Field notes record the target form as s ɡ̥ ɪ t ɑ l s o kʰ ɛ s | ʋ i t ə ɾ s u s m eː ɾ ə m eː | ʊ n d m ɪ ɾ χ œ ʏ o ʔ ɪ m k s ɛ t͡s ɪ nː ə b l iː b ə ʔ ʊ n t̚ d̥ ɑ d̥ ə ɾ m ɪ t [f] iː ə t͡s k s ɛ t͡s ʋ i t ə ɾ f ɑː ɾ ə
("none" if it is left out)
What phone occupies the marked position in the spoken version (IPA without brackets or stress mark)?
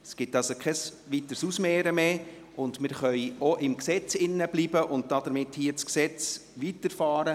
h